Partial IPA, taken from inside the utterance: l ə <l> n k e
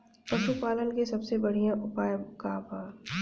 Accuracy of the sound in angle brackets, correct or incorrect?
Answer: incorrect